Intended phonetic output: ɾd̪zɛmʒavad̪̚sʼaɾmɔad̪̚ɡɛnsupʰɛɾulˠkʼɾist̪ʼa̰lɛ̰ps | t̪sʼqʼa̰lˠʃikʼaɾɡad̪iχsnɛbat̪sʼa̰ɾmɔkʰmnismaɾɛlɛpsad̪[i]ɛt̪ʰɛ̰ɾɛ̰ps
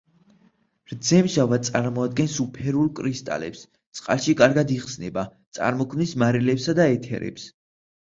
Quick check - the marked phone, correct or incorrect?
incorrect: a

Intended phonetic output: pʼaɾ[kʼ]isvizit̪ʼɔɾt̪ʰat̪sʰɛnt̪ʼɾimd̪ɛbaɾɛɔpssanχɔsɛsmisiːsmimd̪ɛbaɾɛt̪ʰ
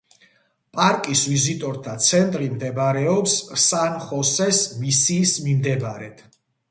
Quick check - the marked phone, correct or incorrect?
correct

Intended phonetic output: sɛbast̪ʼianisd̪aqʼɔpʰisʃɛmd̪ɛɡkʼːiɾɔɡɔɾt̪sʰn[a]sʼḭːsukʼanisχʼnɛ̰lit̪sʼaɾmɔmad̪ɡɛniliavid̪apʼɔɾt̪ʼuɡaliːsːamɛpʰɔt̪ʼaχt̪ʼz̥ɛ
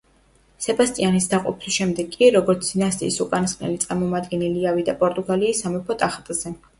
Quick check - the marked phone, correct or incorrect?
correct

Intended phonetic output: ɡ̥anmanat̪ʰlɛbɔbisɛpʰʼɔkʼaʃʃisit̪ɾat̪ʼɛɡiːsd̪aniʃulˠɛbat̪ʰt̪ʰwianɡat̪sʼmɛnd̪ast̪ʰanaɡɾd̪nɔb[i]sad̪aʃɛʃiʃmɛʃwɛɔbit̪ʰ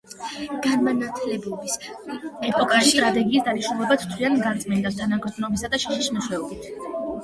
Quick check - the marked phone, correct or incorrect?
correct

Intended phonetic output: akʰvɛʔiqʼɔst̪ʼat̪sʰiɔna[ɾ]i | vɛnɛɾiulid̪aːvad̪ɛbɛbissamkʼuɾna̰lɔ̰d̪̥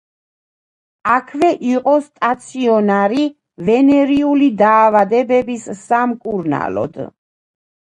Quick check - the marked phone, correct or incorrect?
correct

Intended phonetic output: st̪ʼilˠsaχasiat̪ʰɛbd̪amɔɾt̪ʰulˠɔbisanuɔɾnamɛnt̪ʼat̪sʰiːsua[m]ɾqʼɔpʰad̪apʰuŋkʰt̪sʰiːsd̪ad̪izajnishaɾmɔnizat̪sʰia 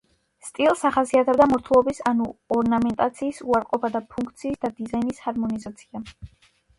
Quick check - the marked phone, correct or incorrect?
incorrect: none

